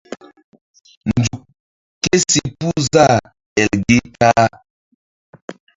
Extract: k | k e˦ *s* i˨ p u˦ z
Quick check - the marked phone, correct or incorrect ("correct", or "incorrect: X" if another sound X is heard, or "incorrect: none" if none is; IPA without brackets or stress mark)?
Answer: correct